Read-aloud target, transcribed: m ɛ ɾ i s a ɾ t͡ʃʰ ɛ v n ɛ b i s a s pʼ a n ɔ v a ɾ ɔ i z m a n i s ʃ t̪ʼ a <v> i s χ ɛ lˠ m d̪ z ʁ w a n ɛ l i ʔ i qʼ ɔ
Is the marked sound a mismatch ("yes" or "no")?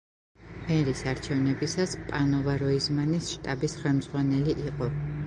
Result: yes